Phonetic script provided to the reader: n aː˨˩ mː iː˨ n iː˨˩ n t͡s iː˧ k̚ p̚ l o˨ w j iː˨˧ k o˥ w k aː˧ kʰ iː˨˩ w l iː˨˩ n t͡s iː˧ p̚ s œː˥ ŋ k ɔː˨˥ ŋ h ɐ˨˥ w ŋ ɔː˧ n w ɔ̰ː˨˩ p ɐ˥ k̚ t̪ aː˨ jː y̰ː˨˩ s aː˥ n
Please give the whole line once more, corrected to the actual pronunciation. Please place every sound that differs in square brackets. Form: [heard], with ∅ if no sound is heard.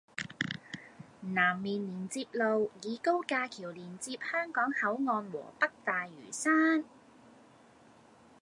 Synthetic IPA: n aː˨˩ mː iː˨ n iː˨˩ n t͡s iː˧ [∅] p̚ l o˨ w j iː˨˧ k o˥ w k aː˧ kʰ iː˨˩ w l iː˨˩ n t͡s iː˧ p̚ [h] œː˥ ŋ k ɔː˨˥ ŋ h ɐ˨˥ w ŋ ɔː˧ n w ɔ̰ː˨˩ p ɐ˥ k̚ t̪ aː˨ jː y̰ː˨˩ s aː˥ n